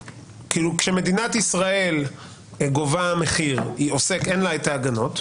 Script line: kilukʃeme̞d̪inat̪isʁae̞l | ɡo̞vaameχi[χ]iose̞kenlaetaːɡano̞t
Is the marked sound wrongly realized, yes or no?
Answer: yes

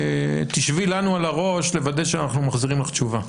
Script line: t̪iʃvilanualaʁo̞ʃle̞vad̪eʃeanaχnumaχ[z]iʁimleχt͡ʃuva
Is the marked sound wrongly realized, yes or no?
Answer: no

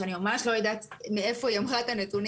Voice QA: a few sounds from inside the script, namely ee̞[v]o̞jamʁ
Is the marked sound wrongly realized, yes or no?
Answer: yes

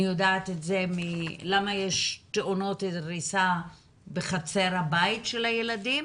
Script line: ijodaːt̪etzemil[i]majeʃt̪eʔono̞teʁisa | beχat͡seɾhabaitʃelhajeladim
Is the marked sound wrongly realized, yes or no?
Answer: yes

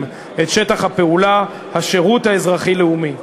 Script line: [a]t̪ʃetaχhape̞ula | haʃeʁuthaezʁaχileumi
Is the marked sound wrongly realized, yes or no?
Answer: yes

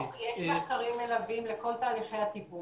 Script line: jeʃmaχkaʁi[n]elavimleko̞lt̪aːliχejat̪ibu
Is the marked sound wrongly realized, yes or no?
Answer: yes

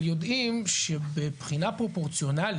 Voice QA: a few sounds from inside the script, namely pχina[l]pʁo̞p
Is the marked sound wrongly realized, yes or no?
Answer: yes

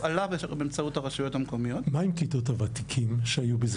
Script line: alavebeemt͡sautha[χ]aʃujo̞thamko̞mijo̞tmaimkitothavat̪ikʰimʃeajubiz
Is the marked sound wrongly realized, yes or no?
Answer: yes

